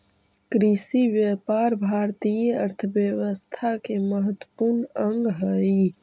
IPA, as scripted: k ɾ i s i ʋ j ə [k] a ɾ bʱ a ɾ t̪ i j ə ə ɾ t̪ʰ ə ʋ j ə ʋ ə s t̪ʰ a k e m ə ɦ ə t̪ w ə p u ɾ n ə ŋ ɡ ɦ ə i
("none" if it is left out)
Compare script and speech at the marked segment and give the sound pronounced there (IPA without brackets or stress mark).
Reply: p